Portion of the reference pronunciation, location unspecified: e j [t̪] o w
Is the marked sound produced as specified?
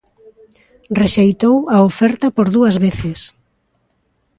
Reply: yes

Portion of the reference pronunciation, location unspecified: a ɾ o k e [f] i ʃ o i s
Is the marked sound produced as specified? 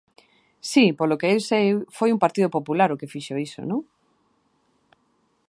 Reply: yes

